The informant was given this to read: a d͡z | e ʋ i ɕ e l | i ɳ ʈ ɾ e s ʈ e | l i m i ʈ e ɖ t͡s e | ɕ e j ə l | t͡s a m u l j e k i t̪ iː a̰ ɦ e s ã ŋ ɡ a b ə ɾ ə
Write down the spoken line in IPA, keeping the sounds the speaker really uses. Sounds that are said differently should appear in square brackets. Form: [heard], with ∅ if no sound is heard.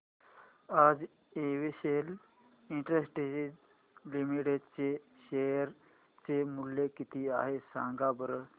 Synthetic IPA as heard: a d͡z | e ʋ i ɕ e l | i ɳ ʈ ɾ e s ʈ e | l i m i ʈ e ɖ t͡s e | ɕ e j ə [ɾ] | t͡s [e] m u l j e k i t̪ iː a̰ ɦ e s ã ŋ ɡ a b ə ɾ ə